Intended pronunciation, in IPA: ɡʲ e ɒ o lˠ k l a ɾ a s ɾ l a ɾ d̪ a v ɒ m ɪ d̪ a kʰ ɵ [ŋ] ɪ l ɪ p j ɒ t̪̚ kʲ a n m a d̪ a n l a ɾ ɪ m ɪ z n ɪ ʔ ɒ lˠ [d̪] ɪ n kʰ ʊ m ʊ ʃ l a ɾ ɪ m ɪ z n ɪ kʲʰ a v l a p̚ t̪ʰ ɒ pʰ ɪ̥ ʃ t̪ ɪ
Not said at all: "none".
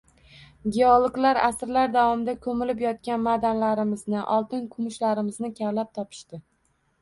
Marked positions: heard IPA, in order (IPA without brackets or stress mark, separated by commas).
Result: m, t̪